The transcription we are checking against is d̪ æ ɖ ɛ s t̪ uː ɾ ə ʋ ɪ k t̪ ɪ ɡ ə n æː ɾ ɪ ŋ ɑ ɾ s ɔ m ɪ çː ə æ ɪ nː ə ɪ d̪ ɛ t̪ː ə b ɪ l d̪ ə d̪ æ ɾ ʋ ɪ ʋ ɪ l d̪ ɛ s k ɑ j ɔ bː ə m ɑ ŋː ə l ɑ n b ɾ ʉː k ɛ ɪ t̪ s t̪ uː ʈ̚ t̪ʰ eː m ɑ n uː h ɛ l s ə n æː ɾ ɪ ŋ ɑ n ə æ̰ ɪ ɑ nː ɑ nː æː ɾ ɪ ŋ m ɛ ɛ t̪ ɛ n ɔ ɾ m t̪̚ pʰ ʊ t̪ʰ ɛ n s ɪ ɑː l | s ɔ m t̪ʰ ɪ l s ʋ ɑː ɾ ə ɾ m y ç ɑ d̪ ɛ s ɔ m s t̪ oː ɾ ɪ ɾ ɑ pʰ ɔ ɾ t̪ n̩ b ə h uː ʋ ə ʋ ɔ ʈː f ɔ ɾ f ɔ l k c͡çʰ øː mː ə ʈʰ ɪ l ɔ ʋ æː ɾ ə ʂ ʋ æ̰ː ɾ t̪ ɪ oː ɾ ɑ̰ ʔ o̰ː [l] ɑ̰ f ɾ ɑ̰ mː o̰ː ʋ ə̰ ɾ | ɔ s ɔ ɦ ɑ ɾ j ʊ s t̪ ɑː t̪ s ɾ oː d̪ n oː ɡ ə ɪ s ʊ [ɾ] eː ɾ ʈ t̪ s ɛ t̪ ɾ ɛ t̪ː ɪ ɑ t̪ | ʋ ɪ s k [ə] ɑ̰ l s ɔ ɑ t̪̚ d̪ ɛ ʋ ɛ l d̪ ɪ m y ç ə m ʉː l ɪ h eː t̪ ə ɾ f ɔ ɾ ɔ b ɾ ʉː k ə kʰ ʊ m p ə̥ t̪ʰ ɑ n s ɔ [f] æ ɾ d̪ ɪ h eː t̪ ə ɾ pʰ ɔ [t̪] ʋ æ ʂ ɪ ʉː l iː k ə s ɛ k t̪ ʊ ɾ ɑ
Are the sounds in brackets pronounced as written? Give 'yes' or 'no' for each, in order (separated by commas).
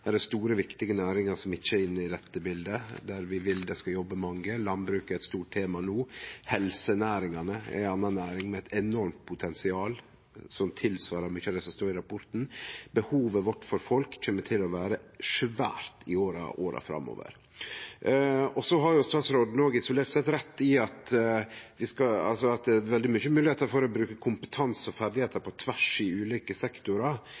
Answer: no, no, no, yes, no